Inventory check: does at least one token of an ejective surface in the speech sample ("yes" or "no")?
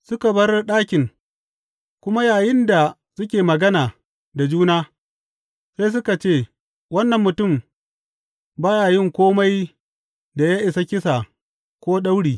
no